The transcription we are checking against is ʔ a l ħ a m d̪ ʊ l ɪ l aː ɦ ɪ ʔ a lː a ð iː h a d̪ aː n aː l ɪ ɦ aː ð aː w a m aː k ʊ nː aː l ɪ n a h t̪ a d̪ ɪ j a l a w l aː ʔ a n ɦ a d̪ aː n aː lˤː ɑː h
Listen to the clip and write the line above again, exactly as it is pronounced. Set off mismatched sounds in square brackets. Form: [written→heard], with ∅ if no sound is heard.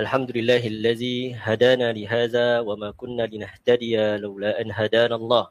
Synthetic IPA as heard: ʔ a l ħ a m d̪ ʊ l ɪ [l→lː] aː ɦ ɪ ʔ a lː a ð iː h a d̪ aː n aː l ɪ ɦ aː ð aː w a m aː k ʊ nː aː l ɪ n a h t̪ a d̪ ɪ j a l a w l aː ʔ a n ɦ a d̪ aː n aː lˤː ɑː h